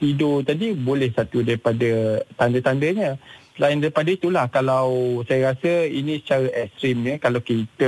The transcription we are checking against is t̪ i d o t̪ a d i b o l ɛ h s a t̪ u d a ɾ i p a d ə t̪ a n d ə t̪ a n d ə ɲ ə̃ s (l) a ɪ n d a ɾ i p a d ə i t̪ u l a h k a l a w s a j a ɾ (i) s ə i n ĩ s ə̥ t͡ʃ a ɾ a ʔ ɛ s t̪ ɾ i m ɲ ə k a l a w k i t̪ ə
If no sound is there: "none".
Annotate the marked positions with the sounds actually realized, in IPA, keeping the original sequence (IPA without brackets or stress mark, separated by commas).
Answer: l, a